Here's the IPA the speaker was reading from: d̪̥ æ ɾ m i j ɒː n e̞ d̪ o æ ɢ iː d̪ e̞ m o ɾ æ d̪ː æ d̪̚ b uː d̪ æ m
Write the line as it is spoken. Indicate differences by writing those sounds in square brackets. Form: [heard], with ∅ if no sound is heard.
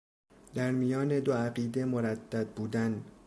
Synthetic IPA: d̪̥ æ ɾ m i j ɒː n e̞ d̪ o æ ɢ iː d̪ e̞ m o ɾ æ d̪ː æ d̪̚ b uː d̪ æ [n]